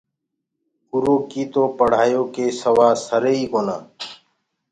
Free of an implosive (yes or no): yes